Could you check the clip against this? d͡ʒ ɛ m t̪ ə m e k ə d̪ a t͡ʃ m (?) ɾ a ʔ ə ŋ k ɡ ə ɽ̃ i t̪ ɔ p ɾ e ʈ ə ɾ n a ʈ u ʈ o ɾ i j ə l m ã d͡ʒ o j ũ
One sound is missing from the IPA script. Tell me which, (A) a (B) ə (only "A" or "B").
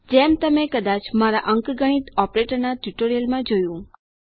A